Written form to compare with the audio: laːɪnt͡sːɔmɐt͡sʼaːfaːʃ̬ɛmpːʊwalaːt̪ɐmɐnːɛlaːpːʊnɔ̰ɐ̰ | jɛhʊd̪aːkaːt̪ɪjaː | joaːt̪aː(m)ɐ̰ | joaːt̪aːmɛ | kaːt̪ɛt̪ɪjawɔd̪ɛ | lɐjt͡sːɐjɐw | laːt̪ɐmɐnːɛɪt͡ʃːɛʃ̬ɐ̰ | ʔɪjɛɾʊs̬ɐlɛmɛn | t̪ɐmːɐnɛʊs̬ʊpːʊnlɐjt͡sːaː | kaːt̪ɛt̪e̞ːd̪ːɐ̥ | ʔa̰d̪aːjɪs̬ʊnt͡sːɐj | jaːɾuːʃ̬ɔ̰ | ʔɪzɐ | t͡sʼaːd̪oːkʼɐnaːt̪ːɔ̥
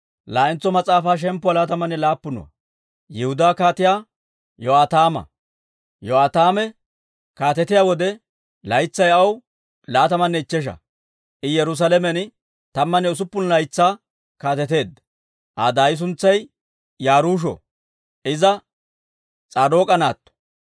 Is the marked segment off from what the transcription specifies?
no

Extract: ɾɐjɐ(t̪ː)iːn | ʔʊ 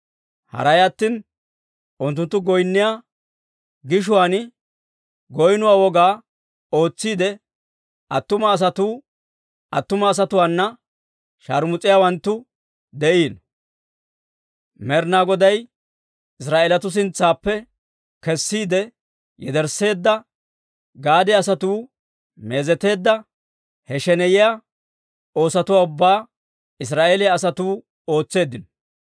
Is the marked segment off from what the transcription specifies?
no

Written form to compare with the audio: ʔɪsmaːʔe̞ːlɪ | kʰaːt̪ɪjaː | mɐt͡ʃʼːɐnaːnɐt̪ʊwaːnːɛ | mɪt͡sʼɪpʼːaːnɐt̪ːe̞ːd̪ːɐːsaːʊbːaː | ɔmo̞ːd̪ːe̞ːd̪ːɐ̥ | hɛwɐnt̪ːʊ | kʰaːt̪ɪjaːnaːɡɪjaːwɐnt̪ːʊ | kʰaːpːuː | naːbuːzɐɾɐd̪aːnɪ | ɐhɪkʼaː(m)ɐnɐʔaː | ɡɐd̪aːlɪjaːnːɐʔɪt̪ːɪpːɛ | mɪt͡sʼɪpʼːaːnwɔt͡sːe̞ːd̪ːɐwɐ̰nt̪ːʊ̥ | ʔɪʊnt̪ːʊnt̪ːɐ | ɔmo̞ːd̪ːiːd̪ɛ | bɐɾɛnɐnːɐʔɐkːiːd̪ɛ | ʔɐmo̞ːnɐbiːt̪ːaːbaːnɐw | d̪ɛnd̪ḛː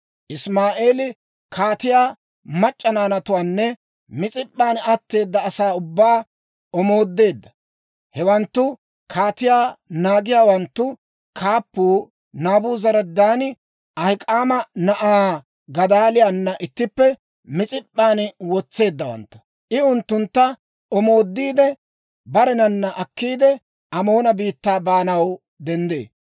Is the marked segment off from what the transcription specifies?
no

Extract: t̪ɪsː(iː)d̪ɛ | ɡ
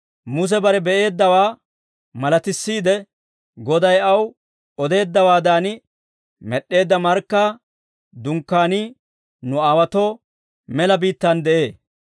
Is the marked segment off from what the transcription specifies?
no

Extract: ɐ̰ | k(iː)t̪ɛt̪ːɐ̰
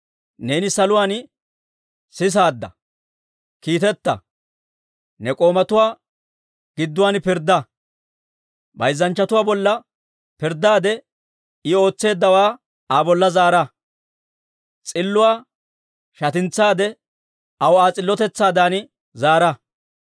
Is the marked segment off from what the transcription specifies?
no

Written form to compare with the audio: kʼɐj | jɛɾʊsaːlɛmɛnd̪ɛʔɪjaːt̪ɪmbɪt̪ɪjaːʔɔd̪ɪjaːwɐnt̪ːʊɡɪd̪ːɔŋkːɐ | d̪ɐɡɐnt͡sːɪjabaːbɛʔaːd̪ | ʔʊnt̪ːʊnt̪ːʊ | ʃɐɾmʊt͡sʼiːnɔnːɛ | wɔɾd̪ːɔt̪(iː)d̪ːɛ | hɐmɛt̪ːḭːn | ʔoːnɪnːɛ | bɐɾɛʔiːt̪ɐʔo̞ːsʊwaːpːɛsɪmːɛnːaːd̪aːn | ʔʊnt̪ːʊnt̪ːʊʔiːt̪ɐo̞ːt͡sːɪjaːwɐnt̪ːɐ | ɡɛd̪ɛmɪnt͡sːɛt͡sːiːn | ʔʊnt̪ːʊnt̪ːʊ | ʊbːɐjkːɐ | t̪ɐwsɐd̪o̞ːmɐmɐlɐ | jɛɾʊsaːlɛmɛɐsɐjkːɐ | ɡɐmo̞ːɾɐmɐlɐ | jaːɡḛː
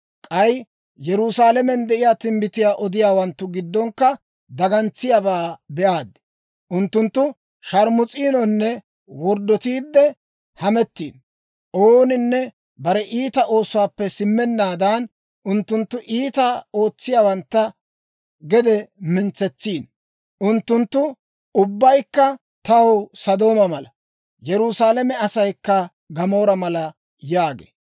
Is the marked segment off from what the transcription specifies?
no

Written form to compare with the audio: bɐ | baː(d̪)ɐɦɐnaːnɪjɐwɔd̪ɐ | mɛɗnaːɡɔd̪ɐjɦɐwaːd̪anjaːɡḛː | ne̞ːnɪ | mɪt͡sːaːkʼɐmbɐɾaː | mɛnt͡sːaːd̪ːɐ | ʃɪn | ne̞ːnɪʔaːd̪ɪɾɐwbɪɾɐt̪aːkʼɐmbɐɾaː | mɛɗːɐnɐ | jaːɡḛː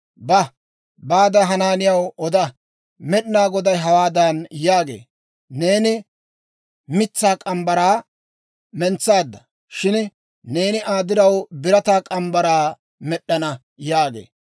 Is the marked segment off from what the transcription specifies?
no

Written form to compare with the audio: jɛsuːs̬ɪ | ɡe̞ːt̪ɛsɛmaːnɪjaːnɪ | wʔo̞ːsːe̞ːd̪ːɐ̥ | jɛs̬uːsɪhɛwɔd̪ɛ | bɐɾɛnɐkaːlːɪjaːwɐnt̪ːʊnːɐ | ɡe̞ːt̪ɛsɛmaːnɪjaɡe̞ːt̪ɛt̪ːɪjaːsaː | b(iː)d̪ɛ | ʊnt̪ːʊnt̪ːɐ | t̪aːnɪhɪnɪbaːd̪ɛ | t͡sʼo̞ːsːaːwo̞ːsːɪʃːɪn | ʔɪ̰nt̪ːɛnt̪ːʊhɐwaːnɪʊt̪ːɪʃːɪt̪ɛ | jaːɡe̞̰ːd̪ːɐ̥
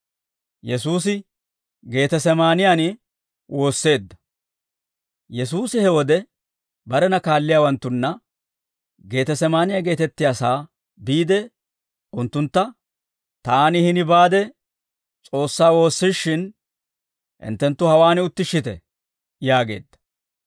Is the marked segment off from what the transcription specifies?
no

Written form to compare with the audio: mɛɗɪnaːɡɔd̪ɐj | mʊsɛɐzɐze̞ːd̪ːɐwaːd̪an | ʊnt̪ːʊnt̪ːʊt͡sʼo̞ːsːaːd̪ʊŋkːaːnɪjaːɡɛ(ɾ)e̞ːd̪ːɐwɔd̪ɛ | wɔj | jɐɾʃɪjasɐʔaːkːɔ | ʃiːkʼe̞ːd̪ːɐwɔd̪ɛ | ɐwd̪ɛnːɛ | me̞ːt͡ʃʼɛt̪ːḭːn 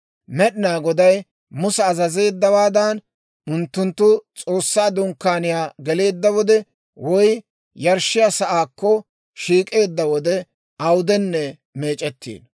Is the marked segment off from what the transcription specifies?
yes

